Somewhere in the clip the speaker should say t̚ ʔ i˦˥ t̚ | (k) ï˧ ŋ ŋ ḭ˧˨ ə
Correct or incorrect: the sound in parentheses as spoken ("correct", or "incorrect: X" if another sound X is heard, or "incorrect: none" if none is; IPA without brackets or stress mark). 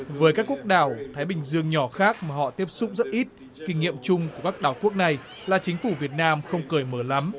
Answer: correct